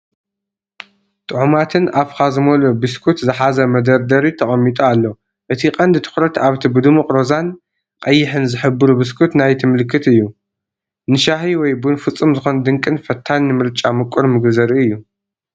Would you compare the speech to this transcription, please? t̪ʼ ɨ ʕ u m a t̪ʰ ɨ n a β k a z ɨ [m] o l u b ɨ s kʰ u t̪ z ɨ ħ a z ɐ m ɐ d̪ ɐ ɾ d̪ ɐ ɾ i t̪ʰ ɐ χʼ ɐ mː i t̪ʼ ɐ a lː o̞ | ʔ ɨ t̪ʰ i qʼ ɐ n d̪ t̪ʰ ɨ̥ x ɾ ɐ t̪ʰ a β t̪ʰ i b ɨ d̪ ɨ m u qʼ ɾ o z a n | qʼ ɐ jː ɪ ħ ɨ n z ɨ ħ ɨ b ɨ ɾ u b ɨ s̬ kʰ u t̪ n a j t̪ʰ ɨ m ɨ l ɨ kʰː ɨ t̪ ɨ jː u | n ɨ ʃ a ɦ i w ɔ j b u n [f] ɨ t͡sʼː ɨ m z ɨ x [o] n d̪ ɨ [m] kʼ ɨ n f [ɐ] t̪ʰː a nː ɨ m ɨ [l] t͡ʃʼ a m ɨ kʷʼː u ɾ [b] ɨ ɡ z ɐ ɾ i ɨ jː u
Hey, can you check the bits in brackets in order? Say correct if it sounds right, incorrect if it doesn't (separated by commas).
correct, correct, correct, incorrect, correct, incorrect, incorrect